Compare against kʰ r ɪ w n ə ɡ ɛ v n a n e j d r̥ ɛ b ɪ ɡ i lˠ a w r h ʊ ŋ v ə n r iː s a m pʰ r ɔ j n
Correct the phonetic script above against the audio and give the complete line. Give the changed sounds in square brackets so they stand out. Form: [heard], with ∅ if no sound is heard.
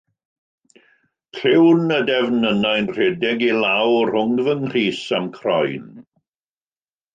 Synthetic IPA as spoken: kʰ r ɪ w n ə [d] ɛ v n [ə] n [a] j [n] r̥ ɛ [d] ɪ ɡ i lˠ a w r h ʊ ŋ v ə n r iː s a m [kʰ] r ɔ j n

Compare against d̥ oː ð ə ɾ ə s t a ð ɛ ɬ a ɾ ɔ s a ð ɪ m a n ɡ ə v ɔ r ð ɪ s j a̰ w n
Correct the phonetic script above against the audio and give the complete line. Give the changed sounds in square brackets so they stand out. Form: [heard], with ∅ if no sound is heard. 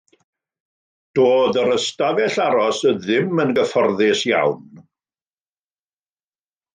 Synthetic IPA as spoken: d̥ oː ð ə ɾ ə s t a [v] ɛ ɬ a ɾ ɔ s [ə] ð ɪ m [ə] n ɡ ə [f] ɔ r ð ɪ s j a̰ w n

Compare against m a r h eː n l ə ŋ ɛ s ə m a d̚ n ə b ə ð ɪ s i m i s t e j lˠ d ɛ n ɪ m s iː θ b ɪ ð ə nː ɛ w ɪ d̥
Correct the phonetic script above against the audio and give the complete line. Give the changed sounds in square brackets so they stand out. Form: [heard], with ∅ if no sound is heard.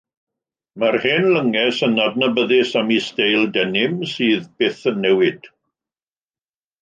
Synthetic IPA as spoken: m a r h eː n l ə ŋ ɛ s ə [n] a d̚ n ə b ə ð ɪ s [a] m i s t e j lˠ d ɛ n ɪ m s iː [ð] b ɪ [θ] ə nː ɛ w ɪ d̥

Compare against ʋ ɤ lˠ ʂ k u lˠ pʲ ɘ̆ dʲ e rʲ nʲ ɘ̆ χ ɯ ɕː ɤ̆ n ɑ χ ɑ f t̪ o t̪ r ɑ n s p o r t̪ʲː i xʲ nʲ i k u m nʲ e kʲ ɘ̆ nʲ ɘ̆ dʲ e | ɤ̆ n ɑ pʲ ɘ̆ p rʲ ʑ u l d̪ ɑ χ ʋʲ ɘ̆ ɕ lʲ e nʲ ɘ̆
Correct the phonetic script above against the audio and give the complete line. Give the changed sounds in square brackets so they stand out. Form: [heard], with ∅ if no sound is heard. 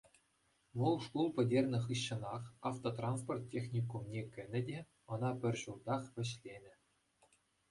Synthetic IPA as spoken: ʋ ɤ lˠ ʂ k u lˠ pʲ ɘ̆ dʲ e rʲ nʲ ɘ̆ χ ɯ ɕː ɤ̆ n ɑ χ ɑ f t̪ o t̪ r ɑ n s p o r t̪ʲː [e] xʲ nʲ i k u m nʲ e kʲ ɘ̆ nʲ ɘ̆ dʲ e | ɤ̆ n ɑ pʲ ɘ̆ [∅] rʲ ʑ u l d̪ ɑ χ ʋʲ ɘ̆ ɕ lʲ e nʲ ɘ̆

